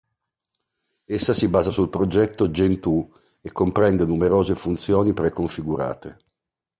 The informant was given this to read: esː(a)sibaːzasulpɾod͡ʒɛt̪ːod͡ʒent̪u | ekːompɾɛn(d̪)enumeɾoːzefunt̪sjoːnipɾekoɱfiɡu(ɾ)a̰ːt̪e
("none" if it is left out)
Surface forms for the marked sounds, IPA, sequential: a, d̪, ɾ

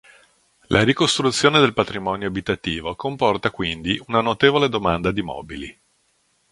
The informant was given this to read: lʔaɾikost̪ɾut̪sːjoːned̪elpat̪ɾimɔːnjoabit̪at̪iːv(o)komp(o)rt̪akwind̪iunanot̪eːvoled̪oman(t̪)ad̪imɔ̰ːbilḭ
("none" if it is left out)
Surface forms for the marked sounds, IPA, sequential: o, ɔ, d̪

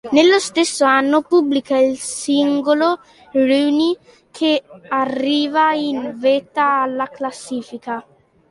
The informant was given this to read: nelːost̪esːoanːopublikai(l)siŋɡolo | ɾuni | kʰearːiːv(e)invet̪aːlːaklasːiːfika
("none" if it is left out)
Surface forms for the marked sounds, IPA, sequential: l, a

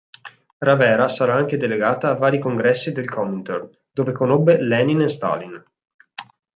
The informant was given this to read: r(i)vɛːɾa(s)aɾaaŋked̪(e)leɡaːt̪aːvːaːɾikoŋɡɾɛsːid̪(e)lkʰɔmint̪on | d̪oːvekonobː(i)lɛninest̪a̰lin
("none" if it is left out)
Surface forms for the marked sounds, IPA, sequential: a, s, e, e, e

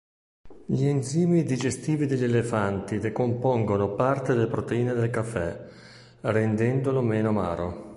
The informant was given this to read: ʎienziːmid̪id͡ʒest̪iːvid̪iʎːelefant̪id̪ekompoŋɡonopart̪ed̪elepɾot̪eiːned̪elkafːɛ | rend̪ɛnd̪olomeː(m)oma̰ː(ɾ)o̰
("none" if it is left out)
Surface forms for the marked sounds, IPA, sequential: n, ɾ

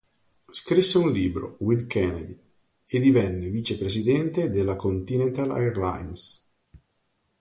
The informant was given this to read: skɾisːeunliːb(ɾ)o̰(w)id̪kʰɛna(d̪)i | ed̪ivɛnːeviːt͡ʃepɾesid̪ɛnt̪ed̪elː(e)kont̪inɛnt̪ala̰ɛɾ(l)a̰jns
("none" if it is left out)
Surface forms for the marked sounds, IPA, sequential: ɾ, w, d̪, a, l

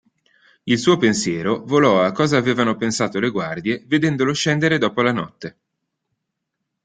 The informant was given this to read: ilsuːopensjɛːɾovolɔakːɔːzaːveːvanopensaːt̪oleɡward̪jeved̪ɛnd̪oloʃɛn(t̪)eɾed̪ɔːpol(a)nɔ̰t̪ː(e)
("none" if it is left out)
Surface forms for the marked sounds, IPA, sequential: d̪, a, e

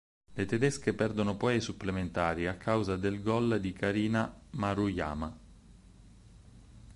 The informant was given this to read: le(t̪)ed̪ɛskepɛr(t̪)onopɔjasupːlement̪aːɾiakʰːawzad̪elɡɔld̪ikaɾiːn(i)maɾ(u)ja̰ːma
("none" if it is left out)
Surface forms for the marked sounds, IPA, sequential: t̪, d̪, a, u

